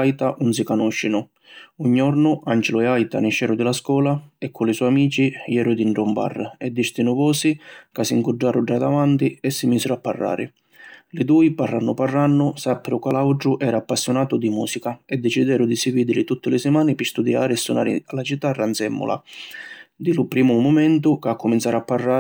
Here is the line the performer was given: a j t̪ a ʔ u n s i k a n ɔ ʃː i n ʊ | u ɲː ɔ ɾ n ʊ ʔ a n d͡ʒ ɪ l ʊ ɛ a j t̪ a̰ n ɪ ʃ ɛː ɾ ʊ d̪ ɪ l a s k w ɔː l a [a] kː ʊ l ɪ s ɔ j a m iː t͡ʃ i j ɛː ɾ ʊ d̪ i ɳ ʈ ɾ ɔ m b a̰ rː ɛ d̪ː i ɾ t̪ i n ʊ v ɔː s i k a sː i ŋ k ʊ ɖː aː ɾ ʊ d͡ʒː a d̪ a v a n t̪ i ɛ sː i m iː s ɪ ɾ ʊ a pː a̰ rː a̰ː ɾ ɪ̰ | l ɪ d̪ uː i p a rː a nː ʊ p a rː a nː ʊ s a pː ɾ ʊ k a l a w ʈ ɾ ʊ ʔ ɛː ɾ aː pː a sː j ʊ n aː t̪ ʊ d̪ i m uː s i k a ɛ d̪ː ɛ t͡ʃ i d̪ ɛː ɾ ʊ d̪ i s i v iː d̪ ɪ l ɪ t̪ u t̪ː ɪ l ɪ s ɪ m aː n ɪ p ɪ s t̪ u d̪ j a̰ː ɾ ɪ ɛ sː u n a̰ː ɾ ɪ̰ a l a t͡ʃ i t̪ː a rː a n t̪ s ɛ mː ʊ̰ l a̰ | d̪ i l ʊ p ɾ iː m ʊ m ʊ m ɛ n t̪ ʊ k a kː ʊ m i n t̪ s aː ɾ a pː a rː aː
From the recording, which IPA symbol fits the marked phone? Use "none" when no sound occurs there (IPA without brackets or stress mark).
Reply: ɛ